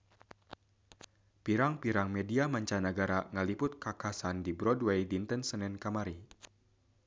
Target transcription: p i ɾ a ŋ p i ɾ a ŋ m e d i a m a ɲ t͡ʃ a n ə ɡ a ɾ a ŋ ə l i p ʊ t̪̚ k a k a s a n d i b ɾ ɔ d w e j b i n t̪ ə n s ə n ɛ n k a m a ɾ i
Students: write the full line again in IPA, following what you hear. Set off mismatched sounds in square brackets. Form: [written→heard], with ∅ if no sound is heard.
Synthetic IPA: p i ɾ a ŋ p i ɾ a ŋ m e d i a m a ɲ t͡ʃ a n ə ɡ a ɾ a ŋ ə l i p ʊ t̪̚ k a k a s a n d i b ɾ ɔ d w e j [b→d] i n t̪ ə n s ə n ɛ n k a m a ɾ i